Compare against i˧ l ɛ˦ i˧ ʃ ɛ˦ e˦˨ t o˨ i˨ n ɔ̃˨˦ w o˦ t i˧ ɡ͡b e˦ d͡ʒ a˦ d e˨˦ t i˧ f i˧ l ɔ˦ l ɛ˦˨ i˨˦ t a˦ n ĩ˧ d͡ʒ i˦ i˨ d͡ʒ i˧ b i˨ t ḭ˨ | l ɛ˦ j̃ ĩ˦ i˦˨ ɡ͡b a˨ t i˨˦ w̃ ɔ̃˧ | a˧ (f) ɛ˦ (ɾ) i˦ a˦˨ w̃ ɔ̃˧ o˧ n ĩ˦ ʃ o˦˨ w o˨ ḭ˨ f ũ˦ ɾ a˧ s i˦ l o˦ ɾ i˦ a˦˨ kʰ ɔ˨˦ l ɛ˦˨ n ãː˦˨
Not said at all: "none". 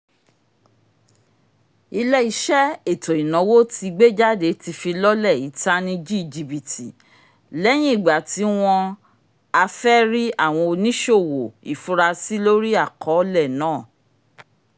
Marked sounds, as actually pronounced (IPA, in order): f, ɾ

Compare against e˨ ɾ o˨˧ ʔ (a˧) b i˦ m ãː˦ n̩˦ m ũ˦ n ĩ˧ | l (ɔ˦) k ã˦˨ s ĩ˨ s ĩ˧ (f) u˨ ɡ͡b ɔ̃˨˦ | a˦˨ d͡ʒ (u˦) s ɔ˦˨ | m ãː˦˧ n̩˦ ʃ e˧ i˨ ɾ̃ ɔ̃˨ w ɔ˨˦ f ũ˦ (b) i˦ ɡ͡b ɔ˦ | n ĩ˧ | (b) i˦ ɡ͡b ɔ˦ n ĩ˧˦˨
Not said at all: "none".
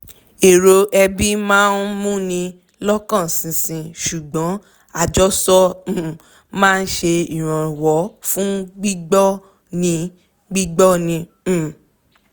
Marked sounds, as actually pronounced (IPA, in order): ɛ˧, ɔ˦, ʃ, ɔ˦, ɡ͡b, ɡ͡b

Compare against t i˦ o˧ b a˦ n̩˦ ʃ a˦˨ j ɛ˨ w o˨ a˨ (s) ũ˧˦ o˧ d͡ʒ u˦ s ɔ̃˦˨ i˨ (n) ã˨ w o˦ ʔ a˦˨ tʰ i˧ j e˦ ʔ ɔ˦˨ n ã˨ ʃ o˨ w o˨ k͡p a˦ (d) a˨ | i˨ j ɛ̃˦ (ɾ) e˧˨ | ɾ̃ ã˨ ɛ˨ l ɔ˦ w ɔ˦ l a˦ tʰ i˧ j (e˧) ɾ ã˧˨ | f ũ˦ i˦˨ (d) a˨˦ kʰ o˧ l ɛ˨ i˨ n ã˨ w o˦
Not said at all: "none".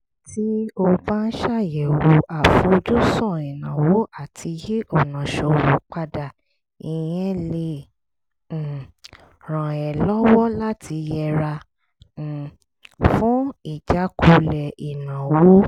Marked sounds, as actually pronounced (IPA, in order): f, n, d, l, ɛ˧, d͡ʒ

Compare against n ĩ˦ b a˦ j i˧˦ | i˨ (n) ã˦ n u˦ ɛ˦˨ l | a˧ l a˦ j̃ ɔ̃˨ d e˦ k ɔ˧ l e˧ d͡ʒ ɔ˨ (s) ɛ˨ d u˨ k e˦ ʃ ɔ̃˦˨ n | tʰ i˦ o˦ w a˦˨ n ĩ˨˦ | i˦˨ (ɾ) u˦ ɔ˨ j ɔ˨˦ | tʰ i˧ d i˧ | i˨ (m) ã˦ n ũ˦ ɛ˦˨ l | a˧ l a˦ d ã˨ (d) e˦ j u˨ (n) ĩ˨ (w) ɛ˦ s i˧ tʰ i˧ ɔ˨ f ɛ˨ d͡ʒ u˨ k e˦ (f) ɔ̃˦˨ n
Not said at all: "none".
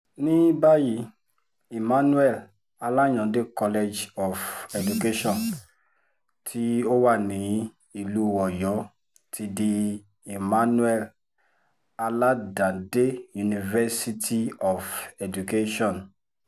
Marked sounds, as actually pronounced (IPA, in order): m, f, l, m, d, n, v, ʃ

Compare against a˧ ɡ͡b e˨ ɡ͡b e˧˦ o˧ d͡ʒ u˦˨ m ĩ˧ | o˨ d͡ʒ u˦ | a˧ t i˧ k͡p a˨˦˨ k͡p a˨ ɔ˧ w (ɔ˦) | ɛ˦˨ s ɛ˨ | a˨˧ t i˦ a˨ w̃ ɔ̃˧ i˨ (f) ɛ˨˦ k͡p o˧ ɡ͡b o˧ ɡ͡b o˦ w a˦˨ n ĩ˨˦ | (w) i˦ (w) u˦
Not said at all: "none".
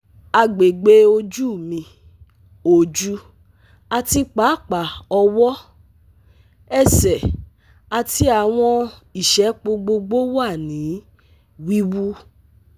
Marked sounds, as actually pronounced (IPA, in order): ɔ˦, ʃ, w, w

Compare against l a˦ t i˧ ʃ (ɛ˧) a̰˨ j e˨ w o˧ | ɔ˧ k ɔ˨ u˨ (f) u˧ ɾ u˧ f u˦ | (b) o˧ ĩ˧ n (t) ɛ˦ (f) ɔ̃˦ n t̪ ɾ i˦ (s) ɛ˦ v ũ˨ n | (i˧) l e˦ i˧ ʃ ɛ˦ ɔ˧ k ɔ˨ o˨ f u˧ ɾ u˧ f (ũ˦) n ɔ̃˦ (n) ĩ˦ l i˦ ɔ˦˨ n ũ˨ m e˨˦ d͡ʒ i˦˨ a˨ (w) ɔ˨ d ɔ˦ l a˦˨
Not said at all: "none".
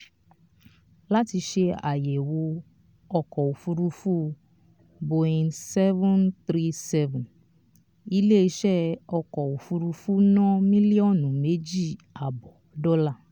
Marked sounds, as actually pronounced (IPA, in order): e˧, f, b, s, v, s, i˧, u˦, m, b

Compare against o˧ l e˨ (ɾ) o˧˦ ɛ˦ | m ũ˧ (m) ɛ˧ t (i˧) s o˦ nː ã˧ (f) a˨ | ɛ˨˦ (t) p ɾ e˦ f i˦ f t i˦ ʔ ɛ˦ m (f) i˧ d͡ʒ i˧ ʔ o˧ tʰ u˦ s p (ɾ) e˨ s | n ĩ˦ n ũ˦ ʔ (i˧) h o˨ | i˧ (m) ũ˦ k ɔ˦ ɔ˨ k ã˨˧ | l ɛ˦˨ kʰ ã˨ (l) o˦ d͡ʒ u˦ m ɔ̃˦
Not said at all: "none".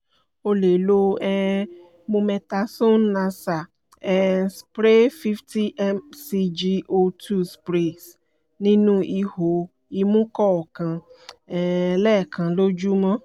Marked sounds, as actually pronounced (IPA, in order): l, m, a˧, s, s, s, ɾ, i˧, m, l

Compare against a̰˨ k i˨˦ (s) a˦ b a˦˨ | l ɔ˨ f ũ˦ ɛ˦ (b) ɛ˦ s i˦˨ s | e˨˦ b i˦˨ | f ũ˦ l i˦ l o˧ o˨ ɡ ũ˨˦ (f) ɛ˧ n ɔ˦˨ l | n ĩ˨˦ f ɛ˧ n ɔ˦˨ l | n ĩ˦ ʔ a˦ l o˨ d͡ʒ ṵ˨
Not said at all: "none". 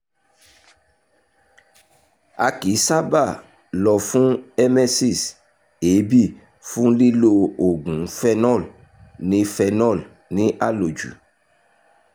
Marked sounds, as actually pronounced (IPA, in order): s, m, f

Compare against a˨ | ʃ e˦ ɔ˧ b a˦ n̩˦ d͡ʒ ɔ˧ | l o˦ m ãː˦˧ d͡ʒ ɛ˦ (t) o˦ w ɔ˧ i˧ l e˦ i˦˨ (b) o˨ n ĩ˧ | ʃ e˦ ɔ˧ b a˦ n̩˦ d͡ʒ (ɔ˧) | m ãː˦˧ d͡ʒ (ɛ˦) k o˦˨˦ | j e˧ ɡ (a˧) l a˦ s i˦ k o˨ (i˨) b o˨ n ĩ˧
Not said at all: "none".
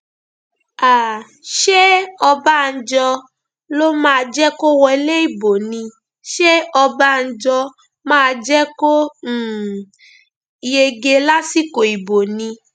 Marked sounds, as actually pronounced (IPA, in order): k, b, ɔ˧, ɛ˦, e˧, i˨

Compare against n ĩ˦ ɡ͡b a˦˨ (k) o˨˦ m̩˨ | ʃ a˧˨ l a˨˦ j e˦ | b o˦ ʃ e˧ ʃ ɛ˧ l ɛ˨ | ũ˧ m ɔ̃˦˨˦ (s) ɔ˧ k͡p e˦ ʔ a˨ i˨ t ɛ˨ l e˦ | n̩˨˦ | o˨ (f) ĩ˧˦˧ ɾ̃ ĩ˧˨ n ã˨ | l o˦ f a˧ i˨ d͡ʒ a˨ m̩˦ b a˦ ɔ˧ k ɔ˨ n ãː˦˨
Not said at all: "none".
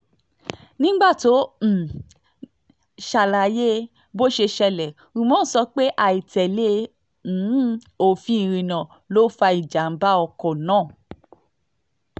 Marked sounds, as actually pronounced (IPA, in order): t, s, f

